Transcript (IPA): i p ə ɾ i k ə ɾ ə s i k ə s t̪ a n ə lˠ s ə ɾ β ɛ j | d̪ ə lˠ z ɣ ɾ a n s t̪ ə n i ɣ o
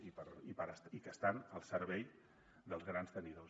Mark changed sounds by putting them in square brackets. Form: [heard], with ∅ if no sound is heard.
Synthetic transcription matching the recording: i p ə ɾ i [p] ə ɾ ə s i k ə s t̪ a n ə lˠ s ə ɾ β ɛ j | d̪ ə lˠ z ɣ ɾ a n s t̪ ə n i [ð] o